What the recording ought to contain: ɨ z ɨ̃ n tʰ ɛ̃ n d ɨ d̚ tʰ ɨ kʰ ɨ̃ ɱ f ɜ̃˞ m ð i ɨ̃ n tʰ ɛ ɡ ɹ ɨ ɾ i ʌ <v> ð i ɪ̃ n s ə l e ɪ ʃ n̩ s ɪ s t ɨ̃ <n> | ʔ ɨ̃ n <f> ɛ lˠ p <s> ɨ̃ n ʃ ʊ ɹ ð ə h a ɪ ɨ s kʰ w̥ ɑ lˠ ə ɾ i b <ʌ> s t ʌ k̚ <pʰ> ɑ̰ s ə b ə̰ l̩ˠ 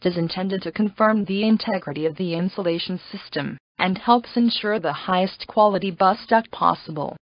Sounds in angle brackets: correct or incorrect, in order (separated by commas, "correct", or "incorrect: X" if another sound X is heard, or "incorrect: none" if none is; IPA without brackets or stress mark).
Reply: correct, incorrect: m, incorrect: h, correct, correct, correct